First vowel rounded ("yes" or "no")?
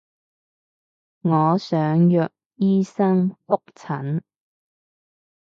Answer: yes